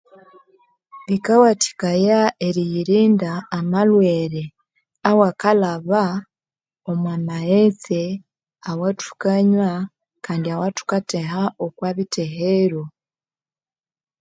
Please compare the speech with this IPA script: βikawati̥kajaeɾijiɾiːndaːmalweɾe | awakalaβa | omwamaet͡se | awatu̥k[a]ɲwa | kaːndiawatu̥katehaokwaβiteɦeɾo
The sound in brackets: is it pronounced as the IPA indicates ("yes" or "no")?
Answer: yes